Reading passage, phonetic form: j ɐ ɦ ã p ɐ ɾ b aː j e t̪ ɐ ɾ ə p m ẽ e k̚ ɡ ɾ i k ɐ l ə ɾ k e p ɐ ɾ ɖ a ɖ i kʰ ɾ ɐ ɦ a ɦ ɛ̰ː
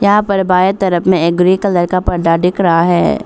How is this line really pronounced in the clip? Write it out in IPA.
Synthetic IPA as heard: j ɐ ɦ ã p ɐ ɾ b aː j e t̪ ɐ ɾ ə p m ẽ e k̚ ɡ ɾ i k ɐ l ə ɾ k a p ɐ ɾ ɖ a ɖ ɪ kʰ ɾ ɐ ɦ a ɦ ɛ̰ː